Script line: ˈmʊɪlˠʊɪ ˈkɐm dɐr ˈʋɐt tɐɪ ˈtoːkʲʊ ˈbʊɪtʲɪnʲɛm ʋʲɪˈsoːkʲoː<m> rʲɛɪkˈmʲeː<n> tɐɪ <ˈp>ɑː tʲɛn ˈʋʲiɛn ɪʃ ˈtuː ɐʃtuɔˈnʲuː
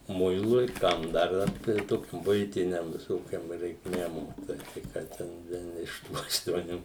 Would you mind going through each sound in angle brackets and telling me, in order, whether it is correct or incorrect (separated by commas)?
correct, incorrect, incorrect